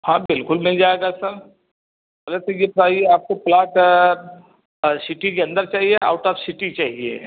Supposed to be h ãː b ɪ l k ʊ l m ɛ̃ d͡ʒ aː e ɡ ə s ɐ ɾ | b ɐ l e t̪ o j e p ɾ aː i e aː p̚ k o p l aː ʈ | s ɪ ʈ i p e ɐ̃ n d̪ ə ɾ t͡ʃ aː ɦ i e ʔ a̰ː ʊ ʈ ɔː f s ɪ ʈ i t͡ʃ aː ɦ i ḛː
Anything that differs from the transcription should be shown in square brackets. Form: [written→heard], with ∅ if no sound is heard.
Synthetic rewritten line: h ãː b ɪ l k ʊ l m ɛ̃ d͡ʒ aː e ɡ [ə→a] s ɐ ɾ | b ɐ l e t̪ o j e p ɾ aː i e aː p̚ k o p l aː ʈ | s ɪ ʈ i [p→k] e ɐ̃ n d̪ ə ɾ t͡ʃ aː ɦ i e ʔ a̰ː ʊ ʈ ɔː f s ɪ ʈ i t͡ʃ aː ɦ i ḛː